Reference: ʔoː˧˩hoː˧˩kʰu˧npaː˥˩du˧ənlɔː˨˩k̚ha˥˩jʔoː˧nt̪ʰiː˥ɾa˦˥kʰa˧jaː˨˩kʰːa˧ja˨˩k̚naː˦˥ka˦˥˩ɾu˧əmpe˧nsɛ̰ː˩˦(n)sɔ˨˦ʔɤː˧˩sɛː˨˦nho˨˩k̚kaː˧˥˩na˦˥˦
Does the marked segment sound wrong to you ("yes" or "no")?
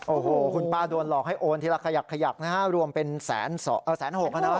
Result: no